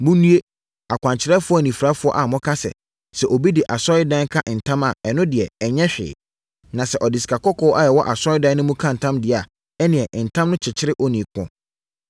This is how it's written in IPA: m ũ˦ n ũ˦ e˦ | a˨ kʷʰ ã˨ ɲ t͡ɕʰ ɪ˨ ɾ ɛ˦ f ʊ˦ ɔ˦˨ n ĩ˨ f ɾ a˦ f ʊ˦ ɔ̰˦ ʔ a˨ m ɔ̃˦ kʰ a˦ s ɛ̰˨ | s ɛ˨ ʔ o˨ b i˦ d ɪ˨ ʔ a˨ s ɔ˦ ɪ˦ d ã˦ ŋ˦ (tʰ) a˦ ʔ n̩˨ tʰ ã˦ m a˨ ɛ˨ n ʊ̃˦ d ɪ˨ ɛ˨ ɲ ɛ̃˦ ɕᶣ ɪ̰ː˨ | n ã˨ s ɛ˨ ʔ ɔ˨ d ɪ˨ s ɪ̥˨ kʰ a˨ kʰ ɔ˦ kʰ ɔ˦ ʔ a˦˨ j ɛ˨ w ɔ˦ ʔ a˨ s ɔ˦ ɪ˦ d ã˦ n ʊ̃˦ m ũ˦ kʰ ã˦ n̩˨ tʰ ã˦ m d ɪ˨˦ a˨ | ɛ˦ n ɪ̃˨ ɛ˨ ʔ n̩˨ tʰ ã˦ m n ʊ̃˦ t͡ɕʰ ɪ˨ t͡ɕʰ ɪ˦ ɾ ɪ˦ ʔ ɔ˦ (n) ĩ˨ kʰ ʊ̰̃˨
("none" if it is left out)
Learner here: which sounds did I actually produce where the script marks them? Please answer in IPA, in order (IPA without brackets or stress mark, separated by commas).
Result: kʰ, n